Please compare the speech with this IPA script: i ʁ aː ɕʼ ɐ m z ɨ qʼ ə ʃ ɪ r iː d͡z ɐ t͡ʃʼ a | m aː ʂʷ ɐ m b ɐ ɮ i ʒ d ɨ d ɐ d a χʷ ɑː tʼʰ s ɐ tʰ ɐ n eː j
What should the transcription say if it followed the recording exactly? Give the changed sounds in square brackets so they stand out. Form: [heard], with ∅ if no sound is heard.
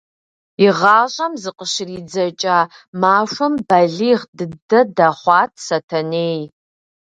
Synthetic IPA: i ʁ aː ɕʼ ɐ m z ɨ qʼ ə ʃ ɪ r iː d͡z ɐ t͡ʃʼ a | m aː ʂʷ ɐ m b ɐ ɮ i [ʁ] d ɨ d ɐ d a χʷ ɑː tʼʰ s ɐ tʰ ɐ n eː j